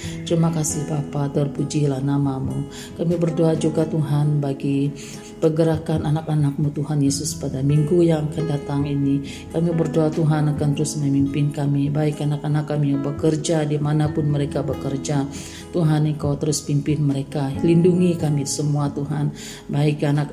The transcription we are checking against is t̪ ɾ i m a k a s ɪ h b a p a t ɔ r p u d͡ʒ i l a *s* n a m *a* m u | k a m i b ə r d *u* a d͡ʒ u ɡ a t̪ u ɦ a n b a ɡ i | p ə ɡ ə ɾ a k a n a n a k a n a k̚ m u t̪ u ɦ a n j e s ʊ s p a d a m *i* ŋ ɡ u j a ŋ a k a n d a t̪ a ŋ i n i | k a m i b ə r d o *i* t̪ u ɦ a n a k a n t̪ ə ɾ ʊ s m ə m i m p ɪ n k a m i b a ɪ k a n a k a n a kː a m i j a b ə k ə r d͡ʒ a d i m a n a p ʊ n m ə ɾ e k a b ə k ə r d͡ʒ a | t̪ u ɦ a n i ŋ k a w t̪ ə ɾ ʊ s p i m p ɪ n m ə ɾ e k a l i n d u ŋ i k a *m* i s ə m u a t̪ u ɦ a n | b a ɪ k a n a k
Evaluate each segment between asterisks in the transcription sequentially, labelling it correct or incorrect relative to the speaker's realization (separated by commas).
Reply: incorrect, correct, incorrect, correct, incorrect, correct